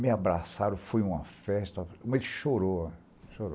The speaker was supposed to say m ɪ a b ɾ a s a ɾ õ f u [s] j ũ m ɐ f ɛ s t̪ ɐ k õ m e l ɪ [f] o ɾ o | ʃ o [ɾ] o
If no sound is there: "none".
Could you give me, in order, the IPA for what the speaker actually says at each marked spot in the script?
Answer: none, ʃ, ɾ

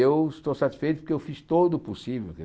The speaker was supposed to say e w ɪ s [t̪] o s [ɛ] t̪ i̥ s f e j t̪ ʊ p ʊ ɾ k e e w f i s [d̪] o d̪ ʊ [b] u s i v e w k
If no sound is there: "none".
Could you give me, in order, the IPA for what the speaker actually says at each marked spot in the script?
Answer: t̪, a, t̪, p

